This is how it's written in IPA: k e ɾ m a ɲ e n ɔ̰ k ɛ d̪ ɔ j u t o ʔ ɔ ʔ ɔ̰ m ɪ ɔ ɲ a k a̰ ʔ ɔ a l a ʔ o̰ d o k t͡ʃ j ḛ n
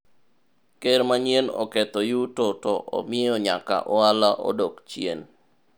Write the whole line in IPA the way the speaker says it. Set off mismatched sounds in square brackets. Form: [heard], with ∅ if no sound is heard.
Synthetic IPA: k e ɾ m a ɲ e n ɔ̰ k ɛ [t̪] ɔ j u t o [t] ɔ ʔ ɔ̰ m ɪ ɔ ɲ a k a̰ ʔ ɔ a l a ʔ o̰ d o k t͡ʃ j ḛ n